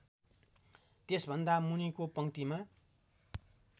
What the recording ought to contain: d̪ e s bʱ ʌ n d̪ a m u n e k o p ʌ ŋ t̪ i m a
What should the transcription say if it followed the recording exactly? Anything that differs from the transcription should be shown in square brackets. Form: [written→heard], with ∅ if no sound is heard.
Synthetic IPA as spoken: [d̪→t̪] e s bʱ ʌ n d̪ a m u n [e→i] k o p ʌ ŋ t̪ i m a